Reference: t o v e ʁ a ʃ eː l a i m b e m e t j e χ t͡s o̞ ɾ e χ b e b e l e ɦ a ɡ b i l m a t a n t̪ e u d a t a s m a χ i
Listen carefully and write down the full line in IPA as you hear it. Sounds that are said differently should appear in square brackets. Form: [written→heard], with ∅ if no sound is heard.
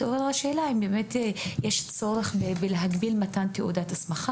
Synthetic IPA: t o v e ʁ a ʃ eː l a i m b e m e t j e [χ→ʃ] t͡s o̞ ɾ e χ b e b e l e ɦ a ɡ b i l m a t a n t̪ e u d a t a s m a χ [i→a]